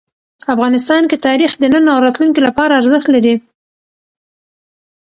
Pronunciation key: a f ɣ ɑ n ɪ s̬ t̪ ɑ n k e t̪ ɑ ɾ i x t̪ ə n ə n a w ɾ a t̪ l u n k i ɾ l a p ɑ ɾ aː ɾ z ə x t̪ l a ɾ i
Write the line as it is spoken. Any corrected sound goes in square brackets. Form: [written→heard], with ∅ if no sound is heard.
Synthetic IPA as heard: a f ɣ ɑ n ɪ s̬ t̪ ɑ n k e t̪ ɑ ɾ i x [t̪→d̪] ə n ə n a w ɾ [a→ɑ] t̪ l u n k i [ɾ→∅] l a p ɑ ɾ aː ɾ z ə x t̪ l a ɾ i